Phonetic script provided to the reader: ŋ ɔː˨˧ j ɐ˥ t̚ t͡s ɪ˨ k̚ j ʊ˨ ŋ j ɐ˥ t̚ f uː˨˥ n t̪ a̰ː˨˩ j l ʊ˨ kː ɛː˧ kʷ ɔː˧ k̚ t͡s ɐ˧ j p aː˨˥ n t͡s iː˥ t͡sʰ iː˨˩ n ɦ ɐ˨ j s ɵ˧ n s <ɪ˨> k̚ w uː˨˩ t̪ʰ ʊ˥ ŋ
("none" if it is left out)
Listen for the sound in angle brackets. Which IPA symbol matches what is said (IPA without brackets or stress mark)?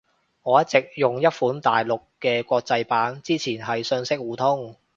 ɪ˥